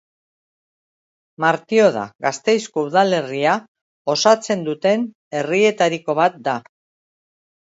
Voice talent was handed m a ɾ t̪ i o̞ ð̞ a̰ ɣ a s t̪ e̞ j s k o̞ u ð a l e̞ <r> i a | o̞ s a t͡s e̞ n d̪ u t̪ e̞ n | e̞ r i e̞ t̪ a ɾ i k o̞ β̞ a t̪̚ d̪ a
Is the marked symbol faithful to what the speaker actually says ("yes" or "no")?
yes